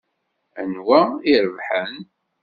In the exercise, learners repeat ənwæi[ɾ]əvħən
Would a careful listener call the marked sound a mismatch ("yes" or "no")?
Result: no